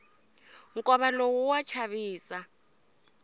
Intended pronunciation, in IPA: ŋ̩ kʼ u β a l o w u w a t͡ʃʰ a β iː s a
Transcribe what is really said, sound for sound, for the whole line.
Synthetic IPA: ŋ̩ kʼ ɔ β a l o w u w a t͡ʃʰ a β iː s a